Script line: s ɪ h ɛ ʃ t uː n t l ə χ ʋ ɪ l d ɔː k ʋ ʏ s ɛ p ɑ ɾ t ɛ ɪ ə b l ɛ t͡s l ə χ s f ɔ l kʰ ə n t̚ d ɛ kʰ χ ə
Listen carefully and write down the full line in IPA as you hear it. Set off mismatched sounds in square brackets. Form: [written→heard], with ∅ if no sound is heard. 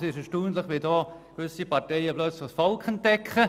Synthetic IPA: s ɪ [h→ʃ] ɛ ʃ t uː n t l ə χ ʋ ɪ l d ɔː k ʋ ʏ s [ɛ→i] p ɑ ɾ t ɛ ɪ ə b l [ɛ→œ] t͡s l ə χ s f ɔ l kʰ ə n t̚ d ɛ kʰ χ ə